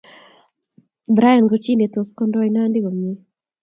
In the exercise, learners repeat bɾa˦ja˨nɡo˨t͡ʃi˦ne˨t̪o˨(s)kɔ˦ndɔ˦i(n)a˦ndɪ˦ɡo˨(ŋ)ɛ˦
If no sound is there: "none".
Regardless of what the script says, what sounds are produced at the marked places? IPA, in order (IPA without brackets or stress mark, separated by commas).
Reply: s, n, m